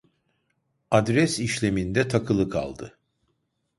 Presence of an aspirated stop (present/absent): present